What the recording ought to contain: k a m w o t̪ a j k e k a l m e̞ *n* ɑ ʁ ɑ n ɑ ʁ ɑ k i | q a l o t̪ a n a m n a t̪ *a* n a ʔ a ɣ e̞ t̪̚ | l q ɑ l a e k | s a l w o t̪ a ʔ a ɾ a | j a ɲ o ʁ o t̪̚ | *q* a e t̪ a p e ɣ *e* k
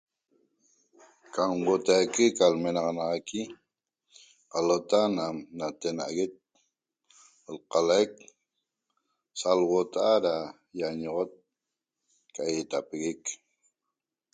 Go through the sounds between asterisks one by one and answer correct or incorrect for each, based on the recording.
correct, incorrect, incorrect, correct

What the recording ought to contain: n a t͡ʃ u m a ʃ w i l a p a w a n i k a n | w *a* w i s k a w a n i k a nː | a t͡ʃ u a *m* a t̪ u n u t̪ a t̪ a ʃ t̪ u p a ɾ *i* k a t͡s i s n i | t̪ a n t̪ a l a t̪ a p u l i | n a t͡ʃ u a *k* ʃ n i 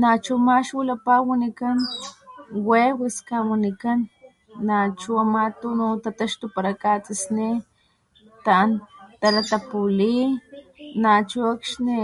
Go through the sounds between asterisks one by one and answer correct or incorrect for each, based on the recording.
incorrect, correct, incorrect, correct

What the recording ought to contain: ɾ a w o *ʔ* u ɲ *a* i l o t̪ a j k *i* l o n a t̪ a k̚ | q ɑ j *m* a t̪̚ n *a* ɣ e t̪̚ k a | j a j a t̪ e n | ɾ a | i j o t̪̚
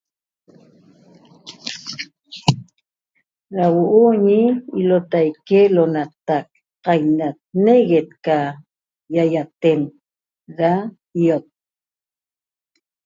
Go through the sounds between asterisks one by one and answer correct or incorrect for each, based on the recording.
correct, incorrect, incorrect, incorrect, incorrect

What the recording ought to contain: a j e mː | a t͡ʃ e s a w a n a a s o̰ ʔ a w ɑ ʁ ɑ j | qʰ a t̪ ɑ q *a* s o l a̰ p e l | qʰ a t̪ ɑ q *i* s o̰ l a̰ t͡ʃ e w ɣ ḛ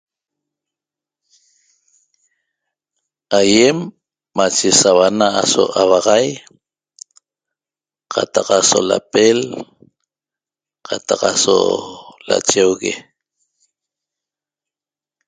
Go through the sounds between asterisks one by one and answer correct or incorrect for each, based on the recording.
correct, incorrect

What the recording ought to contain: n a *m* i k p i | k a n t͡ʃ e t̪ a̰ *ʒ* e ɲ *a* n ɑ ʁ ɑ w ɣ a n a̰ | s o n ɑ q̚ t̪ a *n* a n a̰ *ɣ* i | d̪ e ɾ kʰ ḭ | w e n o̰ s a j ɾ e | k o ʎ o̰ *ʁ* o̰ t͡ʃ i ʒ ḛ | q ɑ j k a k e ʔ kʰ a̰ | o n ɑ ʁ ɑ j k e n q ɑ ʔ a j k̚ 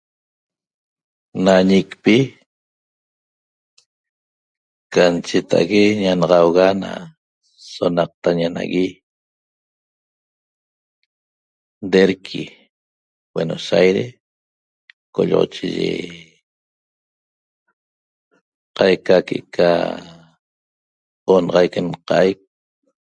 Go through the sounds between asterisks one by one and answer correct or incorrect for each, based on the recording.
incorrect, incorrect, correct, incorrect, correct, correct

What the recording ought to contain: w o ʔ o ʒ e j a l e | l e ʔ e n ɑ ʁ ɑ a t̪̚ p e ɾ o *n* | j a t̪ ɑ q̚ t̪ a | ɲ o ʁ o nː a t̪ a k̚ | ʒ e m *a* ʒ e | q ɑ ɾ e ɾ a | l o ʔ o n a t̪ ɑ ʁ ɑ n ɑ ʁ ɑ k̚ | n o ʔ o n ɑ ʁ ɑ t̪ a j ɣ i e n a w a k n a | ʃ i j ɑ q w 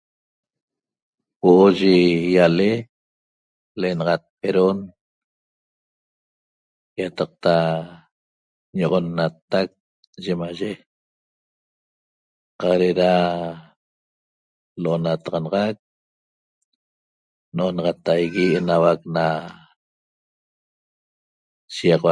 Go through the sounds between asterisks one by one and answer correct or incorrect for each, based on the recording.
correct, correct

